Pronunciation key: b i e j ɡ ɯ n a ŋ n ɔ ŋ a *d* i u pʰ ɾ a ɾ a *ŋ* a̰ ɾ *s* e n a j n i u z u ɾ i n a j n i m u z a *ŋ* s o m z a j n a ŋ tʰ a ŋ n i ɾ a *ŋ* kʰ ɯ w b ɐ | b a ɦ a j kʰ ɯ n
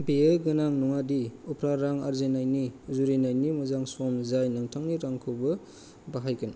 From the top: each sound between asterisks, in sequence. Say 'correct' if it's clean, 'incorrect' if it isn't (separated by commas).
correct, correct, incorrect, correct, correct